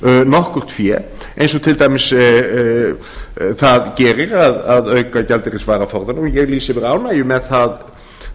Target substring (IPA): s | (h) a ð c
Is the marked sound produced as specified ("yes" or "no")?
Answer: no